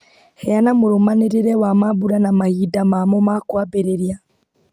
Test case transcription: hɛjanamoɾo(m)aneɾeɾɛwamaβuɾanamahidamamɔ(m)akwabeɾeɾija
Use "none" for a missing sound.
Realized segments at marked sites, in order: m, m

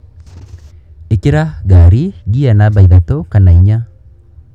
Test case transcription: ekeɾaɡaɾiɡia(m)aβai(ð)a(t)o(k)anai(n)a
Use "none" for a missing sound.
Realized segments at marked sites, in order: n, ð, t, k, ɲ

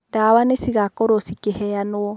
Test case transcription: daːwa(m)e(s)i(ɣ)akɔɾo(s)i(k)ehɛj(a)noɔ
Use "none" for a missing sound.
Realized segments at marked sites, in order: n, s, ɣ, s, k, a

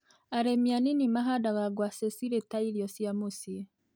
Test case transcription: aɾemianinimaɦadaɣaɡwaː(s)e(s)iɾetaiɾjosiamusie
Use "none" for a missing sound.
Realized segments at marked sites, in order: s, s

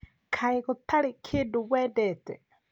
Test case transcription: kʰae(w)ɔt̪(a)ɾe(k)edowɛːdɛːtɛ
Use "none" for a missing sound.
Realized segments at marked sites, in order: ɣ, a, kʰ

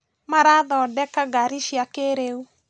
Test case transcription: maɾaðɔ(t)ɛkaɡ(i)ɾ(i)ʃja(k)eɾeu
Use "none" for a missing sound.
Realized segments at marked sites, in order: d, a, i, k

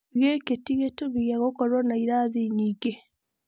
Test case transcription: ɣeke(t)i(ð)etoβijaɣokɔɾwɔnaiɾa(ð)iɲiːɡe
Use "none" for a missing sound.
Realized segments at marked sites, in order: t, ɣ, ð

